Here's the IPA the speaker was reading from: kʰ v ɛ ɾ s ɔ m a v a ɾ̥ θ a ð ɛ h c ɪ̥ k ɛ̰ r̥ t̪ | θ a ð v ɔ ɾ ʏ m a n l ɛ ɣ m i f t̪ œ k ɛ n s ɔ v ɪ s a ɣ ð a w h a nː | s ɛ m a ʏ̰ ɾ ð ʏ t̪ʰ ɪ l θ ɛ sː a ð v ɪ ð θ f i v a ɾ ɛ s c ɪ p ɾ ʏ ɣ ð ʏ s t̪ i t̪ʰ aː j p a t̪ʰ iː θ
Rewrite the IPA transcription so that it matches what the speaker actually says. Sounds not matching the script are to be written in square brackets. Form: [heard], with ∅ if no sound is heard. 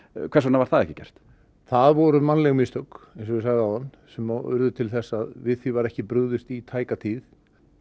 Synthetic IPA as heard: kʰ v ɛ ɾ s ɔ [n] a v a ɾ̥ θ a ð ɛ h c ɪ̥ [c] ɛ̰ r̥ t̪ | θ a ð v ɔ ɾ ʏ m a n l ɛ ɣ m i [s] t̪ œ k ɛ n s ɔ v ɪ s a ɣ ð a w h a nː | s ɛ m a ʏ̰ ɾ ð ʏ t̪ʰ ɪ l θ ɛ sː a ð v ɪ ð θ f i v a ɾ ɛ [h] c ɪ p ɾ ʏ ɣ ð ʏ s t̪ i t̪ʰ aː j [k] a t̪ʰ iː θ